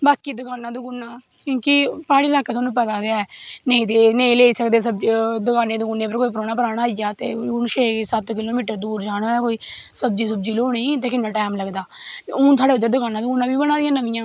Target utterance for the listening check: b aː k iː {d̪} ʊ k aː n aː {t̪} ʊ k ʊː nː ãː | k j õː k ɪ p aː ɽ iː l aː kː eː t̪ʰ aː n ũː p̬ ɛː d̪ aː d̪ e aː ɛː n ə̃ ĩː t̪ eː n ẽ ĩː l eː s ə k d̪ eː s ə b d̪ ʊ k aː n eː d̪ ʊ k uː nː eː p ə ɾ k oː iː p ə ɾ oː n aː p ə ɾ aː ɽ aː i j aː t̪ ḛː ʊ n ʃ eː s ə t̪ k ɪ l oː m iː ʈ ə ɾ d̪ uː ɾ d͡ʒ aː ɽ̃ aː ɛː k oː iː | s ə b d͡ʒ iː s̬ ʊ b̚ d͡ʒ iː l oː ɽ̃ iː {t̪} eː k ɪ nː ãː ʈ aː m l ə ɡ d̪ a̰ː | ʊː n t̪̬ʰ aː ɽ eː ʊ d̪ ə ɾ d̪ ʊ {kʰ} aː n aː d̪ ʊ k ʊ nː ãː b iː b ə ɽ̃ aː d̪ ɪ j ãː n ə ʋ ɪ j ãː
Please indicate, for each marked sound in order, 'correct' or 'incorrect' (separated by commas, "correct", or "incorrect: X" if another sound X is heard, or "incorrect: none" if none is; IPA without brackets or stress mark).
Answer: correct, incorrect: d̪, correct, incorrect: k